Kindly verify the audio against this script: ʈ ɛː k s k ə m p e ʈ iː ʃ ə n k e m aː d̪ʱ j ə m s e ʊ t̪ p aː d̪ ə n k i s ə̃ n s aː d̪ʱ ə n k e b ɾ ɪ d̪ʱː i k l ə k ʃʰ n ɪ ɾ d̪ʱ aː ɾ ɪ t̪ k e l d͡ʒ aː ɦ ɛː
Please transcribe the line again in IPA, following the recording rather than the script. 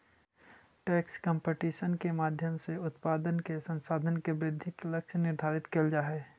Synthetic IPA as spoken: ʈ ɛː k s k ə m p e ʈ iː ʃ ə n k e m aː d̪ʱ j ə m s e ʊ t̪ p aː d̪ ə n k e s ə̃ n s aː d̪ʱ ə n k e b ɾ ɪ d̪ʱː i k l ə k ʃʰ n ɪ ɾ d̪ʱ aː ɾ ɪ t̪ k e l d͡ʒ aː ɦ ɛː